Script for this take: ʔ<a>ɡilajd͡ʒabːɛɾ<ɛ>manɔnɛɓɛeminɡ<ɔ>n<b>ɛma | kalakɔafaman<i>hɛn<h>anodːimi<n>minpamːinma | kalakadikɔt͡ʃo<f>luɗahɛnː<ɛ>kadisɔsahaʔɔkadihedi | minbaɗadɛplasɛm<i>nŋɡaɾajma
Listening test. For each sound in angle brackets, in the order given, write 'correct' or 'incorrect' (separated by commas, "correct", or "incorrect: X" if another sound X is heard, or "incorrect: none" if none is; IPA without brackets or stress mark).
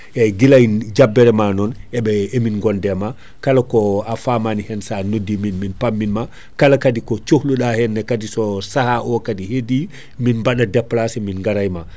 incorrect: ɛ, correct, correct, incorrect: d, correct, incorrect: s, correct, incorrect: h, correct, correct